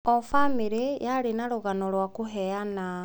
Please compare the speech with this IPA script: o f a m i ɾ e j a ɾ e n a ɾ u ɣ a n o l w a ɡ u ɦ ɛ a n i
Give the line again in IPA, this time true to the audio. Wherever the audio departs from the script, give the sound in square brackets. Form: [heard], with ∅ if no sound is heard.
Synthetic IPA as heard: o f a m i ɾ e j a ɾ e n a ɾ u ɣ a n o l w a [k] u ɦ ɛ a n [a]